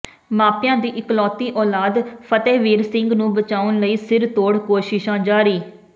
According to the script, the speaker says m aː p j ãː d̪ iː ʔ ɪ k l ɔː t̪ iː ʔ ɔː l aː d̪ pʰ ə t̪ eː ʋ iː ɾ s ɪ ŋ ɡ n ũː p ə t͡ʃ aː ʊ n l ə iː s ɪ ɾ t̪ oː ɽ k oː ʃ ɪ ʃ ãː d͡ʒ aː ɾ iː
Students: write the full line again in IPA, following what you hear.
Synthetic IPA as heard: m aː p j ãː d̪ iː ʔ ɪ k l ɔː t̪ iː ʔ ɔː l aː d̪ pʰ ə t̪ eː ʋ iː ɾ s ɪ ŋ ɡ n ũː b ə t͡ʃ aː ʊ n l ə iː s ɪ ɾ t̪ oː ɽ k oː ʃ ɪ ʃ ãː d͡ʒ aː ɾ iː